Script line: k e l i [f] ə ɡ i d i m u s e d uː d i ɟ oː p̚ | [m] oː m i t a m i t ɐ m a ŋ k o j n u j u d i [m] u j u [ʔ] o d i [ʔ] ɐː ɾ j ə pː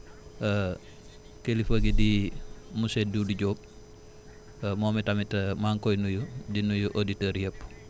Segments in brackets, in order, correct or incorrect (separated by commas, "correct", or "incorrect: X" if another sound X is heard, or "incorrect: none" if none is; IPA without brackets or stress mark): correct, correct, incorrect: n, correct, incorrect: t